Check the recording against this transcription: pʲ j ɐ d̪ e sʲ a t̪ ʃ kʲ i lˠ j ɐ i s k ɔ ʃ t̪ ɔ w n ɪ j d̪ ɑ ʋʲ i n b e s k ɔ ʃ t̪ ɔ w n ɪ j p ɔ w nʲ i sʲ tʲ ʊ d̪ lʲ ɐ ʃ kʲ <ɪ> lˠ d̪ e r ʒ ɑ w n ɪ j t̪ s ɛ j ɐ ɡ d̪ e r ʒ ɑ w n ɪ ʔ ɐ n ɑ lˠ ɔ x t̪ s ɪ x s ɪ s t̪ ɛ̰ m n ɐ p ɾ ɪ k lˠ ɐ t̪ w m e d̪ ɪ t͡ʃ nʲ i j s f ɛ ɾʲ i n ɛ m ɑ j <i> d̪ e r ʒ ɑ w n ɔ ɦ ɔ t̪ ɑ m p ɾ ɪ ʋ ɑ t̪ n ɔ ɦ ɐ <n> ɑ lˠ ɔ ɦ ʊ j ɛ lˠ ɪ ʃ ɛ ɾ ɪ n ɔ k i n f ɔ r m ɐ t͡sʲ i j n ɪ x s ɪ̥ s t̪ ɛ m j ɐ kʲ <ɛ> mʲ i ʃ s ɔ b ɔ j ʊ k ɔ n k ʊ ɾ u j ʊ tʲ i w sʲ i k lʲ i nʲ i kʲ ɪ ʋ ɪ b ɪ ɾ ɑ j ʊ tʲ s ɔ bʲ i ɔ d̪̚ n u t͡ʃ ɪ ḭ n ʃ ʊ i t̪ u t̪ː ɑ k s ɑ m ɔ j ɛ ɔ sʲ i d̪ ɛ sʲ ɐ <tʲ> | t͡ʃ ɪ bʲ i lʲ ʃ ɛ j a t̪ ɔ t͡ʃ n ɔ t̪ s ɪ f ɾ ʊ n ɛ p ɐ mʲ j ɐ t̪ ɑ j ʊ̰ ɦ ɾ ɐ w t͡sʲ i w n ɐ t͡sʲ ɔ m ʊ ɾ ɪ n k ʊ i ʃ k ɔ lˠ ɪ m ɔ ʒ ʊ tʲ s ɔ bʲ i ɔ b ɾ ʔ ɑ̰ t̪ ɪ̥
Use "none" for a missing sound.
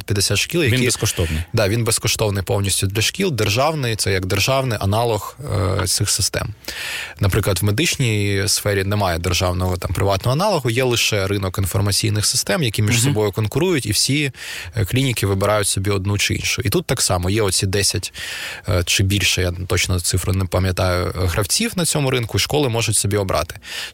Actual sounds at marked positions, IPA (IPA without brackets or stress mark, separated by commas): i, ɛ, n, i, tʲ